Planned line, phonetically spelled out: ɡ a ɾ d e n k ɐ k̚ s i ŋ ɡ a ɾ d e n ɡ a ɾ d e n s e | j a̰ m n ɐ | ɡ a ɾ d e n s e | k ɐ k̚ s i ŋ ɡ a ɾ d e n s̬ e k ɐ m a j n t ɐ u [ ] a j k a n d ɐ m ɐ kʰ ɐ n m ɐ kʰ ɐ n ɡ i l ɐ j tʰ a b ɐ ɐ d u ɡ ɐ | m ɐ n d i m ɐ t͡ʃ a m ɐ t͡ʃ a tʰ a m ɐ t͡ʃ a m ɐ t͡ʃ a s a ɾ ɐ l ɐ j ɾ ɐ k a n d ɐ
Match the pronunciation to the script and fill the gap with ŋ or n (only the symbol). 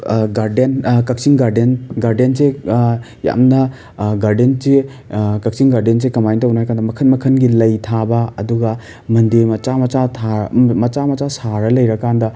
n